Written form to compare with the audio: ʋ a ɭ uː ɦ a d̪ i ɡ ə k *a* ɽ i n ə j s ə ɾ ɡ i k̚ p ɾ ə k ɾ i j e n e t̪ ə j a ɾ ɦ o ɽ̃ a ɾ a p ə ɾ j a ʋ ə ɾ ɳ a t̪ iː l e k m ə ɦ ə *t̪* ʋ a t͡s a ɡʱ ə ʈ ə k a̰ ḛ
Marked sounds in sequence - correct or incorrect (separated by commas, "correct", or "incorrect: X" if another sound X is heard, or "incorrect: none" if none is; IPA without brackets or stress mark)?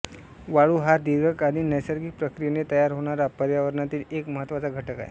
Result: correct, correct